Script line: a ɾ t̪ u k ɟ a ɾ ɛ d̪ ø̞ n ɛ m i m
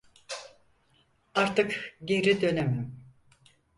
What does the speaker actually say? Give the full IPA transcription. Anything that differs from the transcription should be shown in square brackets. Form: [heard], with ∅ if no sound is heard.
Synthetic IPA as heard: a ɾ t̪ [ɯ] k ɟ [e] ɾ [i] d̪ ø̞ n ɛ m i m